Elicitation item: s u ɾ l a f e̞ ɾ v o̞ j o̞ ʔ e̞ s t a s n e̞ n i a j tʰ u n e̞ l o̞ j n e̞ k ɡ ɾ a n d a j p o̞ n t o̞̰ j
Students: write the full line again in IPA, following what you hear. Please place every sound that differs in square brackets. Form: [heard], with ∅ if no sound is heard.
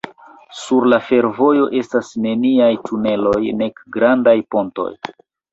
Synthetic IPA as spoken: s u ɾ l a f e̞ ɾ v o̞ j o̞ ʔ e̞ s t a s n e̞ n i a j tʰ u n e̞ l o̞ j n e̞ k ɡ ɾ a n d a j p o̞ n t o̞̰ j